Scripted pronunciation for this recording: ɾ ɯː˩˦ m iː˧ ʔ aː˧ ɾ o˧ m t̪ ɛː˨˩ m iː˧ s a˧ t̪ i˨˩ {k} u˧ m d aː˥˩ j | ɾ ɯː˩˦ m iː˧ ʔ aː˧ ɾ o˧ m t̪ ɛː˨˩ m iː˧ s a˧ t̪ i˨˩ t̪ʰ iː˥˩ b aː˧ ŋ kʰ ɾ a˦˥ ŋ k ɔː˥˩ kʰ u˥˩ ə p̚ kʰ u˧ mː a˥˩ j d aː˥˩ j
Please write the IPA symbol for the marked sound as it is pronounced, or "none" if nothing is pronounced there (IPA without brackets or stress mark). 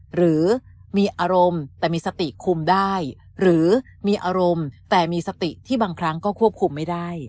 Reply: kʰ